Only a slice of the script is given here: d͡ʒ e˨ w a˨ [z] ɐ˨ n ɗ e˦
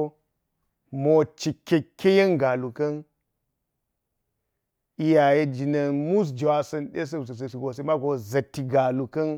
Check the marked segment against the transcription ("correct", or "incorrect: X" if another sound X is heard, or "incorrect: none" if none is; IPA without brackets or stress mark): incorrect: s